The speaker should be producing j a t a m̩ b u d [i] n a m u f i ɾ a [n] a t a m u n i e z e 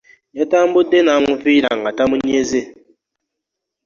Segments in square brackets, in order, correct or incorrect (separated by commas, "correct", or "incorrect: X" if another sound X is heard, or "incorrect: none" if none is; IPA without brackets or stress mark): incorrect: e, incorrect: ŋ